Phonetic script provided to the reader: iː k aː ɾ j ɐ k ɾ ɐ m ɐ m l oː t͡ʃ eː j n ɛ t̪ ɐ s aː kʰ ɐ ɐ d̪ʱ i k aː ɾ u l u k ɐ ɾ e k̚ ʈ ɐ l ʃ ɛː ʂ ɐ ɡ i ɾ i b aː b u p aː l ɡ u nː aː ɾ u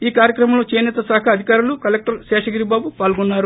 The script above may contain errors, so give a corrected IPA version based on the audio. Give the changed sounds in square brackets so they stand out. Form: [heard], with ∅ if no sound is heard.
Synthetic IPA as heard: iː k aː ɾ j ɐ k ɾ ɐ m ɐ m l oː t͡ʃ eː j n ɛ t̪ ɐ s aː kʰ ɐ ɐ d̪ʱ i k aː ɾ u l u k ɐ [l] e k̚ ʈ ɐ [ɾ] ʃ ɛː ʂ ɐ ɡ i ɾ i b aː b u p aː l ɡ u nː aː ɾ u